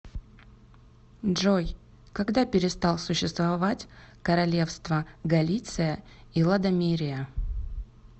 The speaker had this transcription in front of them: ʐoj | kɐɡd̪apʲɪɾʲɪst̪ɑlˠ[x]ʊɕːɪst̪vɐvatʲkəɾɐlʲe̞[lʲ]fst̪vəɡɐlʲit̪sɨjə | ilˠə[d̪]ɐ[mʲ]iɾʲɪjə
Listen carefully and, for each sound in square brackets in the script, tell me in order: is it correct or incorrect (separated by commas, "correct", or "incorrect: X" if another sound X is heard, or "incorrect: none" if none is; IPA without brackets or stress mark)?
incorrect: s, incorrect: none, correct, correct